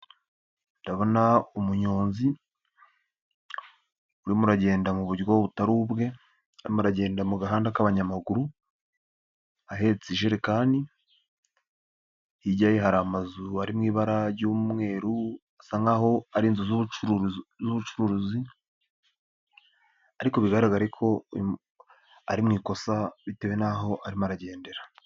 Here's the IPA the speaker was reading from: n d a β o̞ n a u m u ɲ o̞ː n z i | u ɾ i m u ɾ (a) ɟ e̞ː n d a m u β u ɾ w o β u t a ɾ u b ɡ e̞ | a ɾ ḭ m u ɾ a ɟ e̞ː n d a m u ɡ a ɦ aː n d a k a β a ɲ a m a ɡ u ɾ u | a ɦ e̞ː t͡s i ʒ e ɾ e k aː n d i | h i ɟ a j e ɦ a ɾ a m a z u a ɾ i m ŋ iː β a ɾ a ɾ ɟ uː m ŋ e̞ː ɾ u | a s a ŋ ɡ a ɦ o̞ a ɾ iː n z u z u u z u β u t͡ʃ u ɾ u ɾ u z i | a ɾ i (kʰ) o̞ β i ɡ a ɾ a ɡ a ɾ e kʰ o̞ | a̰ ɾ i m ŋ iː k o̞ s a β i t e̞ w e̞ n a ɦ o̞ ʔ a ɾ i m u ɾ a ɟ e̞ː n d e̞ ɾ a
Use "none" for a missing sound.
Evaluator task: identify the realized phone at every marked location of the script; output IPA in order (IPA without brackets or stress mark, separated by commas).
a, k